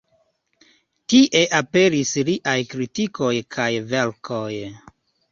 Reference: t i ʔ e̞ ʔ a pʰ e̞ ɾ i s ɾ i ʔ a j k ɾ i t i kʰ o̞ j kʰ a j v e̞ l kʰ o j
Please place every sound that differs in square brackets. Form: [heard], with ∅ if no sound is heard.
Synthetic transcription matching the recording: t i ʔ e̞ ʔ a [p] e̞ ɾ i s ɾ i ʔ a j k ɾ i t i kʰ o̞ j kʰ a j v e̞ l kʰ o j